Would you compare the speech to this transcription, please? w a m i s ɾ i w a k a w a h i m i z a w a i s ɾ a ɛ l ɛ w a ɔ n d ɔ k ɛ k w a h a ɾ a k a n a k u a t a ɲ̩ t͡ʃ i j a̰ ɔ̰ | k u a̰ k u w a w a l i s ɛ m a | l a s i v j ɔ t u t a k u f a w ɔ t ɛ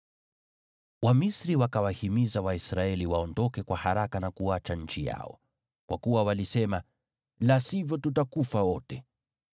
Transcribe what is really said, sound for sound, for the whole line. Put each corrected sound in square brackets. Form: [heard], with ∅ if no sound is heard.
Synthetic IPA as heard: w a m i s ɾ i w a k a w a h i m i z a w a i s ɾ a ɛ l [i] w a ɔ n d ɔ k ɛ k w a h a ɾ a k a n a k u a [t͡ʃ] a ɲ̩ t͡ʃ i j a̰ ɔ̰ | k [w] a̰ k u w a w a l i s ɛ m a | l a s i v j ɔ t u t a k u f a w ɔ t ɛ